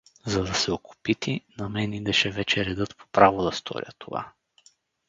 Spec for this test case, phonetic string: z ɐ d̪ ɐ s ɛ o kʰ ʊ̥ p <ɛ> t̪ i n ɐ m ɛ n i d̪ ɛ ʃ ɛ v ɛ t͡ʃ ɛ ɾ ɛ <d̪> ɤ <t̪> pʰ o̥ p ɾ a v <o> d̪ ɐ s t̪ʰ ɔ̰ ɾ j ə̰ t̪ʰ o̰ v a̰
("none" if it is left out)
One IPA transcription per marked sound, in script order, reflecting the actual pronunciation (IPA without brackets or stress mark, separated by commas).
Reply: i, d̪, t̪, o